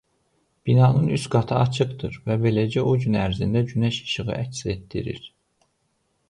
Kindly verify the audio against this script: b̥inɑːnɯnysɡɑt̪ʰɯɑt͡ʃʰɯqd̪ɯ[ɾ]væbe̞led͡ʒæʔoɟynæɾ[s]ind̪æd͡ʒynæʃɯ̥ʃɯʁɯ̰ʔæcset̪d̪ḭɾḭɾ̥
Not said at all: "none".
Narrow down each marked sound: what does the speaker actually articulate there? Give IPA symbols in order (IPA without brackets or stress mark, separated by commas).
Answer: ɾ, z